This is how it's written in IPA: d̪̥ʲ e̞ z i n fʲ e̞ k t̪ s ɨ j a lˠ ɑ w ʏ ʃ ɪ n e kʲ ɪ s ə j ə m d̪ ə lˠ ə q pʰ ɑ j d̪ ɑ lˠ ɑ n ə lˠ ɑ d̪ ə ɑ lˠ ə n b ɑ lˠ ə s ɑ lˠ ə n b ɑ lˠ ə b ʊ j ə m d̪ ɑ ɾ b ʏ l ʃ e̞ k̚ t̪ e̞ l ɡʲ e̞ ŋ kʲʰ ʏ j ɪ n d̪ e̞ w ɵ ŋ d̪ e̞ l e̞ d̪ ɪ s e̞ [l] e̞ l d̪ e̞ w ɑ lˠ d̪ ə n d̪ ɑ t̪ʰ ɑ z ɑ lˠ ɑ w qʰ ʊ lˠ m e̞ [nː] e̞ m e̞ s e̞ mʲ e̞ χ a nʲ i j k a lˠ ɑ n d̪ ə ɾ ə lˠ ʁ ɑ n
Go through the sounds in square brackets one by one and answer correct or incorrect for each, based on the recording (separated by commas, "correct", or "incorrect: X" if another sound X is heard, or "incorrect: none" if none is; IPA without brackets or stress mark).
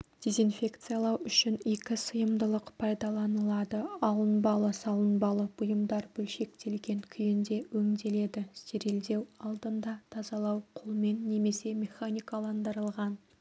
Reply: incorrect: ɾ, correct